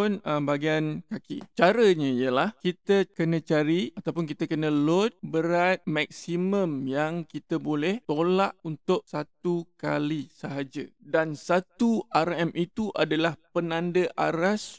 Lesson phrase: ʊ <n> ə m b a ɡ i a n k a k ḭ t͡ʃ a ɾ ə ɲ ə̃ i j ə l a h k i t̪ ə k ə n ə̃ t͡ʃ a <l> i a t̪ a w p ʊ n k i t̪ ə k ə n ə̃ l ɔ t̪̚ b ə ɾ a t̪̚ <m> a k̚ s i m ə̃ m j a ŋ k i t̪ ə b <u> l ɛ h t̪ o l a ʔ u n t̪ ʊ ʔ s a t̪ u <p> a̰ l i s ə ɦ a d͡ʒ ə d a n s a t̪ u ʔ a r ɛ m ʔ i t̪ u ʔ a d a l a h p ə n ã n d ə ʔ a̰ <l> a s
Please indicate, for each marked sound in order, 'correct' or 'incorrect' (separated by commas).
correct, incorrect, correct, incorrect, incorrect, incorrect